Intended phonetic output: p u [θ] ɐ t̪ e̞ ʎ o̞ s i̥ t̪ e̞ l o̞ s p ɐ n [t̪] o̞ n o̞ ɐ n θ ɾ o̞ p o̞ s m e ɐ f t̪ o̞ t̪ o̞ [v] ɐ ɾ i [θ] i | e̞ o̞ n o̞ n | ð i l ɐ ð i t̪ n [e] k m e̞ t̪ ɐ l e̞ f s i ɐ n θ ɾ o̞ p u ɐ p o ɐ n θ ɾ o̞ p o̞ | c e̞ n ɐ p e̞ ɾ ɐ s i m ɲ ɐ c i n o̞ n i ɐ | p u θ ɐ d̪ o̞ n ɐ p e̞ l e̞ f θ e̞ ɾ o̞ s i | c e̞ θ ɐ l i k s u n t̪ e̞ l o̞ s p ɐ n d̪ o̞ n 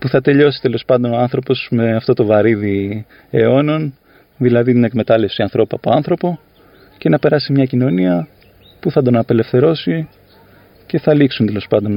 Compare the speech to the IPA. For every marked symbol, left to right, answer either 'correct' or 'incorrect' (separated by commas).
correct, incorrect, correct, incorrect, correct